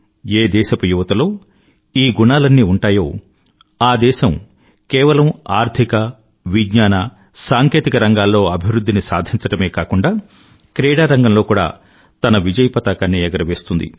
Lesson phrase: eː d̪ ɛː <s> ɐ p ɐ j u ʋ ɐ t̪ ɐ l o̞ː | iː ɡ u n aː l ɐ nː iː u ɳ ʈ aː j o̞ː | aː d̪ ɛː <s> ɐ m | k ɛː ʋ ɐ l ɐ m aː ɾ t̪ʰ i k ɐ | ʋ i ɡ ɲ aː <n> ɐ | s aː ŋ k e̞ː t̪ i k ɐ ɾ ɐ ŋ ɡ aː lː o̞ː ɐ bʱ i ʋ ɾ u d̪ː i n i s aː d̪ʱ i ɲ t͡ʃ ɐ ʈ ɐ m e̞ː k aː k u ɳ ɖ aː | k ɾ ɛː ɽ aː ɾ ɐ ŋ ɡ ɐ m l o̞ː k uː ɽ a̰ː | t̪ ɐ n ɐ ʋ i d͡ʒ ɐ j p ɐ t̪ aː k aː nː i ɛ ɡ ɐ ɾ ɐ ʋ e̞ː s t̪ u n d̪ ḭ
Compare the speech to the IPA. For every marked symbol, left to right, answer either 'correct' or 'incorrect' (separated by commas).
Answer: incorrect, incorrect, correct